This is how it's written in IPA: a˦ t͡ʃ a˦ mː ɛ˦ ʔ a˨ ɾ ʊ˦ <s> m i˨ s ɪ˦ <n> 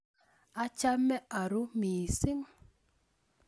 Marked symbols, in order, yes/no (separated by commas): no, no